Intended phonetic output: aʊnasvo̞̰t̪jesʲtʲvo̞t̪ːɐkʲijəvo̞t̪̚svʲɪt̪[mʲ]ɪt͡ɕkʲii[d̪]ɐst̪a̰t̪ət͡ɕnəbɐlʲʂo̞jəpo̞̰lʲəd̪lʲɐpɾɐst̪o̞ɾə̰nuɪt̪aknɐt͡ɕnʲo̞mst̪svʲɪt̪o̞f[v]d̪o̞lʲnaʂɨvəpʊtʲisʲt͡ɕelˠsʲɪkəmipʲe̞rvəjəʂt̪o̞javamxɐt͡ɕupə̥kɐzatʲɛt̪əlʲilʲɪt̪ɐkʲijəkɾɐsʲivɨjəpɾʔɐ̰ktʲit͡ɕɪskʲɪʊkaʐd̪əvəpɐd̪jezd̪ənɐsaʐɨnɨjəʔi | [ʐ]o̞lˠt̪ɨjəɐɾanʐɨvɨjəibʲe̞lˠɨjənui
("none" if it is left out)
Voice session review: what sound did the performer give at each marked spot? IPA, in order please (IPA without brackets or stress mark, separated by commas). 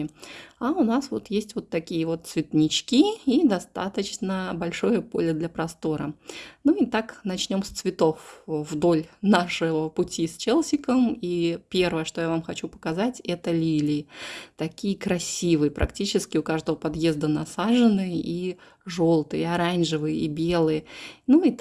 nʲ, d̪, v, ʐ